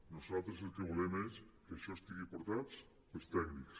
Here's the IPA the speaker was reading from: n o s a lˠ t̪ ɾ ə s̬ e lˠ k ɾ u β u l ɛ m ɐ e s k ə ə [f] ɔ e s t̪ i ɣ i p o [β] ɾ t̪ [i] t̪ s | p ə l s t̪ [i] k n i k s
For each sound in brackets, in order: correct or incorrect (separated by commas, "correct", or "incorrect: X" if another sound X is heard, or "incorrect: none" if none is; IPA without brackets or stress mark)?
incorrect: ʃ, incorrect: none, incorrect: a, incorrect: ɛ